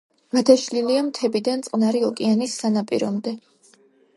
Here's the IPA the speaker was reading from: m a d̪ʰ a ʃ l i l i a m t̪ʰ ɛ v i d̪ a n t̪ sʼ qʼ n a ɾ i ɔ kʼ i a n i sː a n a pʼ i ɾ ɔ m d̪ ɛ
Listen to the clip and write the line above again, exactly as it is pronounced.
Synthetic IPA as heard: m a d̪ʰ a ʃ l i l i a m t̪ʰ ɛ b i d̪ a n t̪ sʼ qʼ n a ɾ i ɔ kʼ i a n i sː a n a pʼ i ɾ ɔ m d̪ ɛ